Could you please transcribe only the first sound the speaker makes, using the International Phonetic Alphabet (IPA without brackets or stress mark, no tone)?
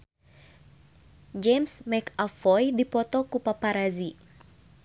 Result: d͡ʒ